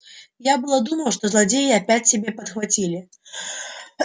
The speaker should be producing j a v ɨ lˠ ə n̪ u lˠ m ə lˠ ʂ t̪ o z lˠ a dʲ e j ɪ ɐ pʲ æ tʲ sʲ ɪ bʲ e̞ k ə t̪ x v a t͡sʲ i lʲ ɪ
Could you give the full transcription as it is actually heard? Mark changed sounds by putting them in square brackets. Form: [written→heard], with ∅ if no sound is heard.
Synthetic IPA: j a [v→b] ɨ lˠ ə [n̪→d̪] u [lˠ→∅] m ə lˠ ʂ t̪ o z lˠ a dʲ e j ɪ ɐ pʲ æ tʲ sʲ ɪ bʲ e̞ [k→p] ə t̪ x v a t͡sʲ i lʲ ɪ